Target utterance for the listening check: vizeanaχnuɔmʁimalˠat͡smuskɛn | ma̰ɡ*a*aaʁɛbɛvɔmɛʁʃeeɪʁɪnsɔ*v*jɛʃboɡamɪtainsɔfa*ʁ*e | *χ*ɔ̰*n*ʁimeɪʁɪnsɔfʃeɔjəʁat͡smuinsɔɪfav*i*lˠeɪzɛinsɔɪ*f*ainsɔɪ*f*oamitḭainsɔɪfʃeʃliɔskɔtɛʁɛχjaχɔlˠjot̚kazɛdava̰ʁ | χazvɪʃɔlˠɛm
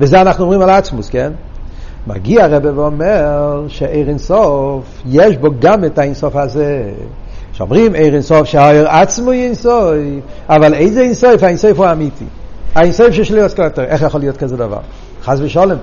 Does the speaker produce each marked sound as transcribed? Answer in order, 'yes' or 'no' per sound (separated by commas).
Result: no, no, no, no, no, no, yes, yes